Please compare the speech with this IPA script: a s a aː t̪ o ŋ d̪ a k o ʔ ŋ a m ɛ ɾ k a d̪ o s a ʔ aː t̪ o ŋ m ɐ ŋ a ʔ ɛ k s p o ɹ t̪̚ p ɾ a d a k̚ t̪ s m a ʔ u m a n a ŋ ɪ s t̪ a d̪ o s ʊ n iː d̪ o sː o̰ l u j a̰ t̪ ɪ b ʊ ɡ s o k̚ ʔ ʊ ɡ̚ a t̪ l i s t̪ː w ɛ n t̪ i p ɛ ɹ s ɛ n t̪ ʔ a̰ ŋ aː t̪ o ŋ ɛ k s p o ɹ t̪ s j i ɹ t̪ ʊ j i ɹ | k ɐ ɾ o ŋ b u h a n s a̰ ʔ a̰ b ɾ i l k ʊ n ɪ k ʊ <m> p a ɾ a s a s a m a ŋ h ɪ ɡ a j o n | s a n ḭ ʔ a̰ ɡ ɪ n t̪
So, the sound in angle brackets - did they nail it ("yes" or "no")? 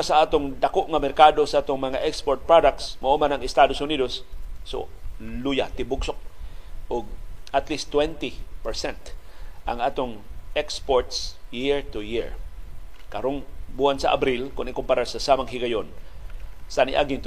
yes